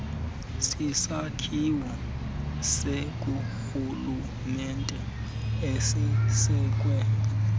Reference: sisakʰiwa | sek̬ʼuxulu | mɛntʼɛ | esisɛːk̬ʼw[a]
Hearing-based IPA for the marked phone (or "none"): ɛ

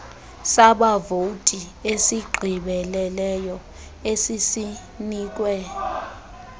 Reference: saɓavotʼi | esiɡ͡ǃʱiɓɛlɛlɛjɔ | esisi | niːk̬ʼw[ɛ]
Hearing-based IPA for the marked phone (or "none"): ɛ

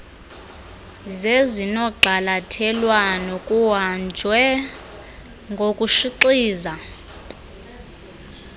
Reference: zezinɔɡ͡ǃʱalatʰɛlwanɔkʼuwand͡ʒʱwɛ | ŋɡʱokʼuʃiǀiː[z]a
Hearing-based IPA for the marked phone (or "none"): z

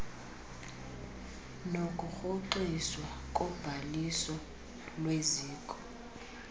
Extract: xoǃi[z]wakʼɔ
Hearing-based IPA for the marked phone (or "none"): s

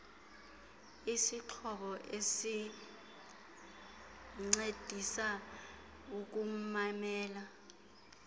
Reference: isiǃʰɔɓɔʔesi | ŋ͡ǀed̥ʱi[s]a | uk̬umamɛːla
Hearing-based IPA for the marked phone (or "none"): s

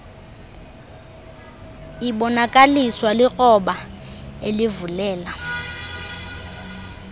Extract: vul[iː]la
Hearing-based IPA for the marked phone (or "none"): ɛː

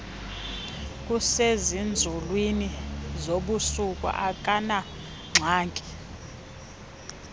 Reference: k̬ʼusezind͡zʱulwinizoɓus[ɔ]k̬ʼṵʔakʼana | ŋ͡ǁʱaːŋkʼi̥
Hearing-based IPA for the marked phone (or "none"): u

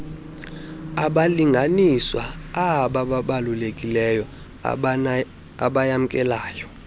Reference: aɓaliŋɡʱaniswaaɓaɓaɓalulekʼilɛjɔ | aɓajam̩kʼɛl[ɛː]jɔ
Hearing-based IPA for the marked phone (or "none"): aː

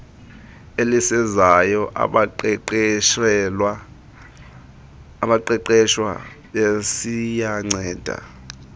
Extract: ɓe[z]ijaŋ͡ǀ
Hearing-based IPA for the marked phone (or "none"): s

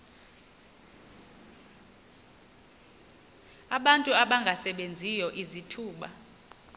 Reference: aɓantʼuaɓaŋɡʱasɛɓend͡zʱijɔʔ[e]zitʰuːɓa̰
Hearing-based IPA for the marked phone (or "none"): i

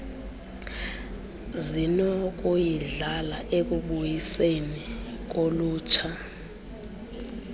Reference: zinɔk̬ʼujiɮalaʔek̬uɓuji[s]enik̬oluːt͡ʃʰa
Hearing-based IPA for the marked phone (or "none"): s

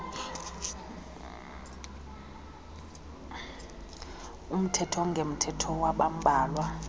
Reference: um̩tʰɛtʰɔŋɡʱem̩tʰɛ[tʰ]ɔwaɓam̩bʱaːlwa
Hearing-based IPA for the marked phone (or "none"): tʰ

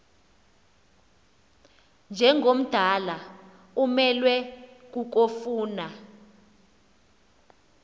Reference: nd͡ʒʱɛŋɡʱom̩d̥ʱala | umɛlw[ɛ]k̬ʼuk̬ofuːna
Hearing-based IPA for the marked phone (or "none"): ɛ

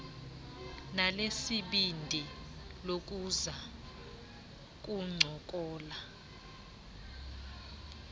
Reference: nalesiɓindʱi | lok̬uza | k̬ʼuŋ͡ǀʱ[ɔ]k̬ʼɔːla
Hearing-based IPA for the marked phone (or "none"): ɔ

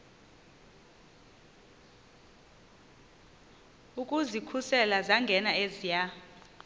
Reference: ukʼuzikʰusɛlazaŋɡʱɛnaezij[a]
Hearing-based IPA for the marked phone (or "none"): a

